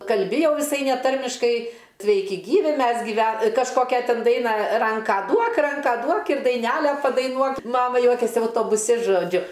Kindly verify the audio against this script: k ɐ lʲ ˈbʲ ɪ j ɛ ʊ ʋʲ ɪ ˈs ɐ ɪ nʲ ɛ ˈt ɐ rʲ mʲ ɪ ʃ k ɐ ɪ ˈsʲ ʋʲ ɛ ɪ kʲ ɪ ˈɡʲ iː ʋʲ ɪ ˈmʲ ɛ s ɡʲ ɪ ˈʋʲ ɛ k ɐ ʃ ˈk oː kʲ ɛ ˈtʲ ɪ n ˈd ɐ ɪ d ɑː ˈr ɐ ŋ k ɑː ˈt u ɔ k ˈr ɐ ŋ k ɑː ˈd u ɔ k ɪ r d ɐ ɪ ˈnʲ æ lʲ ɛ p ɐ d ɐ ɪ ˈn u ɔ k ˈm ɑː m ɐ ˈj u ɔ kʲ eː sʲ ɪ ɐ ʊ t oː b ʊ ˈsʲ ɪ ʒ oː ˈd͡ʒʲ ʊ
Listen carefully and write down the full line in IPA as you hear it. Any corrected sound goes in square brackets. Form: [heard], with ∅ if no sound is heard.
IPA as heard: k ɐ lʲ ˈbʲ ɪ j ɛ ʊ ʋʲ ɪ ˈs ɐ ɪ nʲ ɛ ˈt ɐ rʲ mʲ ɪ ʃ k ɐ ɪ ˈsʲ ʋʲ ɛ ɪ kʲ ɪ ˈɡʲ iː ʋʲ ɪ ˈmʲ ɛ s ɡʲ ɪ ˈʋʲ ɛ k ɐ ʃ ˈk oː kʲ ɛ ˈtʲ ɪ n ˈd ɐ ɪ [n] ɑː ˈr ɐ ŋ k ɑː [ˈd] u ɔ k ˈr ɐ ŋ k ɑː ˈd u ɔ k ɪ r d ɐ ɪ ˈnʲ æ lʲ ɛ p ɐ d ɐ ɪ ˈn u ɔ k ˈm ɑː m ɐ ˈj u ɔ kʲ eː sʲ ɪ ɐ ʊ t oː b ʊ ˈsʲ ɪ ʒ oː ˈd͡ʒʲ ʊ